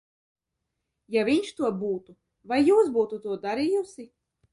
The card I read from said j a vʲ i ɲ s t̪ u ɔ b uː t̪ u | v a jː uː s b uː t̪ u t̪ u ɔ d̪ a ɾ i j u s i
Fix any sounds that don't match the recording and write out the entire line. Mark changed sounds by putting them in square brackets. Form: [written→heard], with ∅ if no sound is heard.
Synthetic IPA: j a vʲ i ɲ [s→ʃ] t̪ u ɔ b uː t̪ u | v a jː uː s b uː t̪ u t̪ u ɔ d̪ a ɾ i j u s i